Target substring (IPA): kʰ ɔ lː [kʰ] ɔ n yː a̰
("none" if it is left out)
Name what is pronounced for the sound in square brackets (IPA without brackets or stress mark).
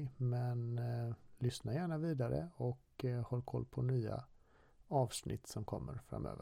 pʰ